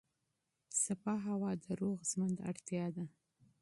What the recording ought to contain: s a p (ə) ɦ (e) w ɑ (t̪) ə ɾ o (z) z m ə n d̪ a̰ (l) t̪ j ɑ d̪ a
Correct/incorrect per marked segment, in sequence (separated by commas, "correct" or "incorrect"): incorrect, incorrect, incorrect, incorrect, incorrect